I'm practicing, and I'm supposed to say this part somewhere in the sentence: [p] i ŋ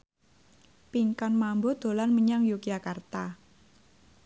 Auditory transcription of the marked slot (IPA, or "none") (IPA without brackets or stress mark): p